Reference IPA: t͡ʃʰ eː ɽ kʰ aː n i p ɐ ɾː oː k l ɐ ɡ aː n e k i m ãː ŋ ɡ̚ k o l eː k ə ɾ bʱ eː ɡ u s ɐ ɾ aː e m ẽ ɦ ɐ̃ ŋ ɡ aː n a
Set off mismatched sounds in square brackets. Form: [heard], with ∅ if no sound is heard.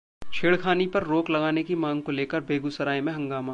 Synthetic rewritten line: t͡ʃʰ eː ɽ kʰ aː n i p ɐ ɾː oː k l ɐ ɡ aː n e k i m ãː ŋ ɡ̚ k o l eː k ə ɾ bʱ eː ɡ u s ɐ ɾ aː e m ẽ ɦ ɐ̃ ŋ ɡ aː [m] a